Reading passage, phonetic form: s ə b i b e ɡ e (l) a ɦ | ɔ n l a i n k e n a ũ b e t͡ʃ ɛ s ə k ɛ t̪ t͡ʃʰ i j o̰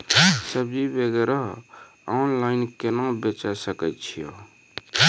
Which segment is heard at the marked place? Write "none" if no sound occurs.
ɾ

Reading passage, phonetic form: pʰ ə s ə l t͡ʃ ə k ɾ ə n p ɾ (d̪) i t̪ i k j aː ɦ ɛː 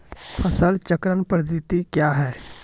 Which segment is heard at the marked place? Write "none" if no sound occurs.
d̪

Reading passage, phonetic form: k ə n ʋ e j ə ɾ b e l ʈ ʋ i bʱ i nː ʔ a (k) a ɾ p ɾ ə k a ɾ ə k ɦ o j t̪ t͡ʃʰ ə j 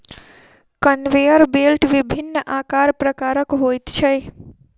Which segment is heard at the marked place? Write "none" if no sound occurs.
k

